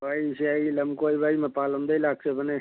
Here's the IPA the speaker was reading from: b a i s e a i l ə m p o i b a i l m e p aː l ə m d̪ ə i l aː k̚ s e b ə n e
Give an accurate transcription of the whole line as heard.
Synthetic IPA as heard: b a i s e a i l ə m k o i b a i m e p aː l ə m d̪ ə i l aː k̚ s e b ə n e